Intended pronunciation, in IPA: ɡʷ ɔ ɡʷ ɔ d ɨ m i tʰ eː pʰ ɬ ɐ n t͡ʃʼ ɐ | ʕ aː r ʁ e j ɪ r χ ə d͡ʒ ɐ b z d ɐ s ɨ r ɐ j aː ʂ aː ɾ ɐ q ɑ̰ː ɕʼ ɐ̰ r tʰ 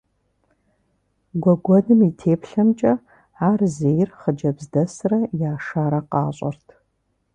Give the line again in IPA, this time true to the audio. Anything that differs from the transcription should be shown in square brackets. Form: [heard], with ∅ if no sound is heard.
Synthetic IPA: ɡʷ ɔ ɡʷ ɔ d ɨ m i tʰ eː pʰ ɬ ɐ [m] t͡ʃʼ ɐ | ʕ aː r [z] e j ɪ r χ ə d͡ʒ ɐ b z d ɐ s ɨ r ɐ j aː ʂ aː ɾ ɐ q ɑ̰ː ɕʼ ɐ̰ r tʰ